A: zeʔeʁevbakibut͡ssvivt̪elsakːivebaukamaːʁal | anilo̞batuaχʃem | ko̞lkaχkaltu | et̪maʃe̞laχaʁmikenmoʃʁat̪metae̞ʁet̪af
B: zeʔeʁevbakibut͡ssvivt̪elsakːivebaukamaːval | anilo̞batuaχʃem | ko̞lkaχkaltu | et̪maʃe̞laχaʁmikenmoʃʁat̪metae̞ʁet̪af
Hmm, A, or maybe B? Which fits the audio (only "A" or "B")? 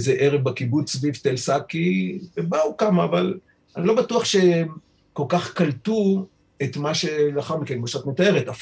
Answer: B